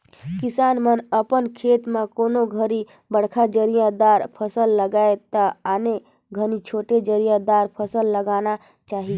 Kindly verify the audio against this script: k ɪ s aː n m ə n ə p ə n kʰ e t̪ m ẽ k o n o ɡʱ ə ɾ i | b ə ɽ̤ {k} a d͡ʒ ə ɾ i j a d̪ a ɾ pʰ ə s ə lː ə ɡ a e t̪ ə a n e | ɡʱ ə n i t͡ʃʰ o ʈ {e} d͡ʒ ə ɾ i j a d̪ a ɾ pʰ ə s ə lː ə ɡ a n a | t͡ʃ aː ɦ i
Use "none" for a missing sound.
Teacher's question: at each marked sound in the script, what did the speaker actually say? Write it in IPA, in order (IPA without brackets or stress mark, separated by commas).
kʰ, e